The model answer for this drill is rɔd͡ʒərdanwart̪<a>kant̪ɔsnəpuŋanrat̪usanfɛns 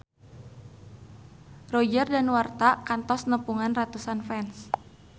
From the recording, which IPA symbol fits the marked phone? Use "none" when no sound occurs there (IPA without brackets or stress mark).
a